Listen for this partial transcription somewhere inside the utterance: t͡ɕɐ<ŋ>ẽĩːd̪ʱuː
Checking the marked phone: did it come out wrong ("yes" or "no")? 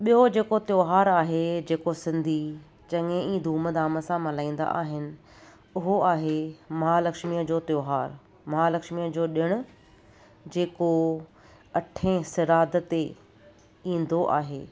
no